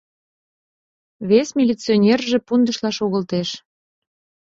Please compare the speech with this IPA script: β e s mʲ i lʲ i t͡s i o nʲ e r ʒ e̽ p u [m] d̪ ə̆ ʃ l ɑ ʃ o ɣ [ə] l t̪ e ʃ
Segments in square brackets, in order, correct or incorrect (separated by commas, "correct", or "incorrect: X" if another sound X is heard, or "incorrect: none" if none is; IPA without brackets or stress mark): incorrect: n, correct